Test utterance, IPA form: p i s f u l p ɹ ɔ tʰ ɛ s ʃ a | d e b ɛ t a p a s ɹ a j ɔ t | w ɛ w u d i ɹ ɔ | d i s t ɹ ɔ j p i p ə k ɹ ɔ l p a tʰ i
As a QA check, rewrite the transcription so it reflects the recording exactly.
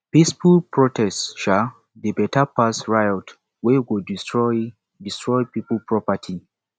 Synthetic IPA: p i s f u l p ɹ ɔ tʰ ɛ s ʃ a | d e b ɛ t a p a s ɹ a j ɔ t | w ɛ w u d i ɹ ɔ | d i s t ɹ ɔ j p i p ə p ɹ ɔ p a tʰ i